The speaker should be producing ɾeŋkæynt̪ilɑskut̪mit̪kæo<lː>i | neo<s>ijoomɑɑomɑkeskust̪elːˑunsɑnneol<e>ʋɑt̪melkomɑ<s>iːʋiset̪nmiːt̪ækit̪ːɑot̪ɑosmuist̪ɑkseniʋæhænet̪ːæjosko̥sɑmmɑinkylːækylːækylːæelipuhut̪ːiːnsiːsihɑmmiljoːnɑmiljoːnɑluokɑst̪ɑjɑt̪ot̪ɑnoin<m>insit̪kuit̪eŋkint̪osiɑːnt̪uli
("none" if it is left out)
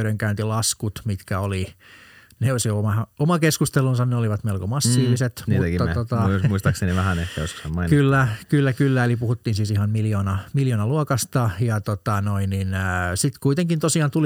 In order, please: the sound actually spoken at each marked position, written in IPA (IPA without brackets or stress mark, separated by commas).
l, s, i, sː, n